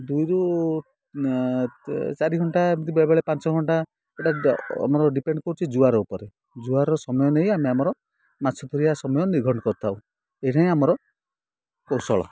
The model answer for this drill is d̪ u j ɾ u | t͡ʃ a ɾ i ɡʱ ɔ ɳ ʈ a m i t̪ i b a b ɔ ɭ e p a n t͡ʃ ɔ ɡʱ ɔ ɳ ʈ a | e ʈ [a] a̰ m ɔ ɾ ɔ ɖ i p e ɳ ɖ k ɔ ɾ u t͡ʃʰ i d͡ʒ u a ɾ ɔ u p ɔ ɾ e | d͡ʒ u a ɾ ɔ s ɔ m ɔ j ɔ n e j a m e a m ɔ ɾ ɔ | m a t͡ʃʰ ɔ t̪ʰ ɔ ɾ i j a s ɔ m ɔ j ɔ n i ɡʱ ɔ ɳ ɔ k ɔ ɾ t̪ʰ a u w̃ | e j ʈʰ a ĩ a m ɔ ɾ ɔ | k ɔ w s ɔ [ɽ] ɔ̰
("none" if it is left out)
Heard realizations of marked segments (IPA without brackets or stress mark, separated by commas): a, ɭ